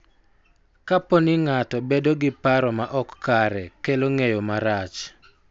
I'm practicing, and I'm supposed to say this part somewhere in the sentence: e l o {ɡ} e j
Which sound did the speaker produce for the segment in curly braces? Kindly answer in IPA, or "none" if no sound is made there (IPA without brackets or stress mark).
ŋ